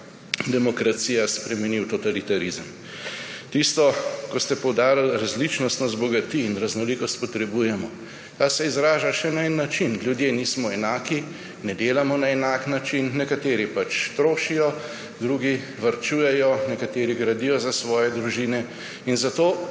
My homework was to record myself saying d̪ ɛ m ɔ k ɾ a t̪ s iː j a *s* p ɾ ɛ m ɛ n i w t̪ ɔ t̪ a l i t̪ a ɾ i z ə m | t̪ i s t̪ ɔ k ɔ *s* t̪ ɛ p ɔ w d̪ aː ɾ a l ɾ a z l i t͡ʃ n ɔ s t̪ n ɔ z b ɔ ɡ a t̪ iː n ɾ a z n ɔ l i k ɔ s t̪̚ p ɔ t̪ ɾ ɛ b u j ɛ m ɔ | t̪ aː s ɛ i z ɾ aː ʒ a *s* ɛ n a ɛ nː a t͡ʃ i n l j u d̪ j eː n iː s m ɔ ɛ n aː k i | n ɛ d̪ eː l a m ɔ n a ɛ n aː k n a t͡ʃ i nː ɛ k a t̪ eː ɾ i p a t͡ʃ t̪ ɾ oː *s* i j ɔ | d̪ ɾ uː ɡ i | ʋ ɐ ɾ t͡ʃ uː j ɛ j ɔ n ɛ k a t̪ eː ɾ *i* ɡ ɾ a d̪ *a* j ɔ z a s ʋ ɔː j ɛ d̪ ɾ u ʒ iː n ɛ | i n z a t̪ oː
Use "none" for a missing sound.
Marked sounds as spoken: s, s, ʃ, ʃ, i, i

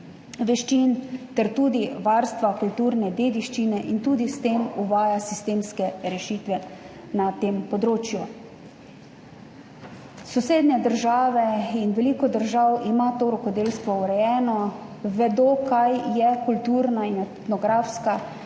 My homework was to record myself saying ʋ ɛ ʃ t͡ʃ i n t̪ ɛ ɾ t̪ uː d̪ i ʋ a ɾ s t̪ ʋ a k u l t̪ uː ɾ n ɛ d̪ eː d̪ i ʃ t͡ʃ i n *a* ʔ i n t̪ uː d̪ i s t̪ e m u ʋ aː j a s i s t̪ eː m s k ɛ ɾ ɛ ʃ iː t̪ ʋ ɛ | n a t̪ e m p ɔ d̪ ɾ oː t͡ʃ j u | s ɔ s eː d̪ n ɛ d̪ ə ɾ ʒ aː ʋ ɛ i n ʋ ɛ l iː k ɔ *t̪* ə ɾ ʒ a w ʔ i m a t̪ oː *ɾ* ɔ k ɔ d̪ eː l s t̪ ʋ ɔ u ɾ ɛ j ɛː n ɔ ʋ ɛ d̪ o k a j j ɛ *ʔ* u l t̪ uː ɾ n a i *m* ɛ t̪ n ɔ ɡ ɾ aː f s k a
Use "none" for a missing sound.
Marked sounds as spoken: ɛ, d̪, ɾ, k, n

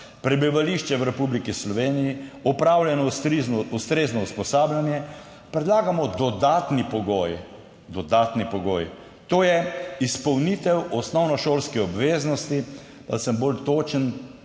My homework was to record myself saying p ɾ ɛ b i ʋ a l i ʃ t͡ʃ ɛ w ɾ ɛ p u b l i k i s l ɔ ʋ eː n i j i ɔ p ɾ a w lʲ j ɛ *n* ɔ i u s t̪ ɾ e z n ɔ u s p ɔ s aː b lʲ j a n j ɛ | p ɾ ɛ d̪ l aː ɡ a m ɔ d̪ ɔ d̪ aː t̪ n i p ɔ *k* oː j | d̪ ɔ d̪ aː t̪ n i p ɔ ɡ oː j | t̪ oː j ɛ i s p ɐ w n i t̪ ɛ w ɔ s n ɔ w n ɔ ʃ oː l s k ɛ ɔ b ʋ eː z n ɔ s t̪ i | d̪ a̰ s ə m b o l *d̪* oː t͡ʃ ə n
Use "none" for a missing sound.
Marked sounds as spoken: n, ɡ, t̪

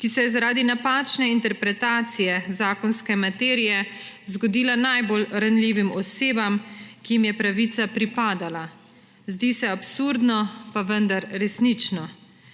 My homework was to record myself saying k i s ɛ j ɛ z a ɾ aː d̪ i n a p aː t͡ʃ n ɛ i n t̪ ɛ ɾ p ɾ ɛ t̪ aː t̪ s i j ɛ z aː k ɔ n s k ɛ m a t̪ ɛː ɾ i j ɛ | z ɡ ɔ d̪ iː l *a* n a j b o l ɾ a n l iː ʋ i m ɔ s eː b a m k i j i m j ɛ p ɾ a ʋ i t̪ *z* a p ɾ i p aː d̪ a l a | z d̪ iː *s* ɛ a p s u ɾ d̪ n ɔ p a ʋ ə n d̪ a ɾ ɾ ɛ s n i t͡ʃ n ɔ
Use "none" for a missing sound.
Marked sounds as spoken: a, s, s

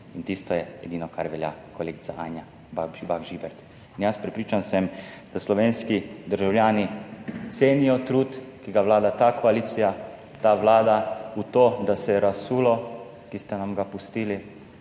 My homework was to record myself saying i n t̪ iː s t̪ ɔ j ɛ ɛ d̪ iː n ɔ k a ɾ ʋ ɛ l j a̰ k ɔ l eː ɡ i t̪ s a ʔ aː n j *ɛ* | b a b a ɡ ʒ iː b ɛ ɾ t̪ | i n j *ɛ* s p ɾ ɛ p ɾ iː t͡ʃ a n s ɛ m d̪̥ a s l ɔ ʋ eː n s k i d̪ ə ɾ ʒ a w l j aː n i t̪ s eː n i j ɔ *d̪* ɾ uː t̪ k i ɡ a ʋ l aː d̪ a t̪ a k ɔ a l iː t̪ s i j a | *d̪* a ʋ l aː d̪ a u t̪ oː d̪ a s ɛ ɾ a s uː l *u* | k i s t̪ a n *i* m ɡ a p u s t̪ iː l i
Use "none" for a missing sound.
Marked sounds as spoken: a, a, t̪, t̪, ɔ, a

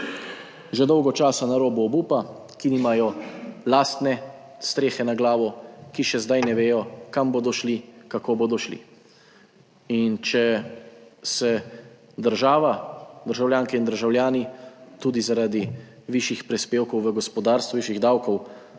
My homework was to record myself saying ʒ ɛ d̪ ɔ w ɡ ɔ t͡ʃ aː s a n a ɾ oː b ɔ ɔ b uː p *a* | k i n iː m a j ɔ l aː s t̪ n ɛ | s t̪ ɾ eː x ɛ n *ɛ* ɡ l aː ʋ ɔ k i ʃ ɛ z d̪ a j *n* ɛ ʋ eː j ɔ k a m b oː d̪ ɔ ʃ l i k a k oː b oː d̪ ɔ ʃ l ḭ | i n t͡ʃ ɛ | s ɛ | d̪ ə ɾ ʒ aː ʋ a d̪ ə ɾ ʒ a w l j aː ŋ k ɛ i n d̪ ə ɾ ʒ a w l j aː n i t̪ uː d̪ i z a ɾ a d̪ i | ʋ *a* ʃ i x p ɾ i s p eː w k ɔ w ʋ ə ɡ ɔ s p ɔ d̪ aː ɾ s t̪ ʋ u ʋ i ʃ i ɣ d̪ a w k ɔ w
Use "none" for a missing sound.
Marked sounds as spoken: a, a, n, i

